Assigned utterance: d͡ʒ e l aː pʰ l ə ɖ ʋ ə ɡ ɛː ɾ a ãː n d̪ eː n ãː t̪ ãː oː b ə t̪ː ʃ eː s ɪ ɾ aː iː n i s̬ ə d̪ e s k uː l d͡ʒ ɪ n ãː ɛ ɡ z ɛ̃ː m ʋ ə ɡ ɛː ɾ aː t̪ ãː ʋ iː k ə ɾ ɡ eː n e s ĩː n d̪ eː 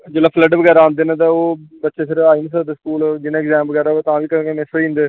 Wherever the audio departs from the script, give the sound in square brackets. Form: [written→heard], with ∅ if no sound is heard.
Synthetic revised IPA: d͡ʒ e l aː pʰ l ə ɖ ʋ ə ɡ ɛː ɾ a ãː n d̪ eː n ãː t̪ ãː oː b ə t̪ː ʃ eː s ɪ ɾ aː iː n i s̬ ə d̪ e s k uː l d͡ʒ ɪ n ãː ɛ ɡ z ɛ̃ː m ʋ ə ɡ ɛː ɾ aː t̪ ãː ʋ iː k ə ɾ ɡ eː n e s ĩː n d̪ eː